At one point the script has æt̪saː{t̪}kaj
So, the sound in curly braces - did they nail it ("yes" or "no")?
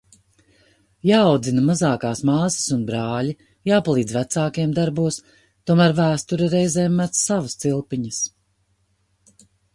no